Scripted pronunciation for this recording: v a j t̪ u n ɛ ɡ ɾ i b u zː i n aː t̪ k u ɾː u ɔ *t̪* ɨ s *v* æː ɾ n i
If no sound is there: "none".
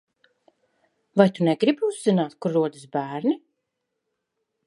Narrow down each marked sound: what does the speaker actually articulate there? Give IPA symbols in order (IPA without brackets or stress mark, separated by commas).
d̪, b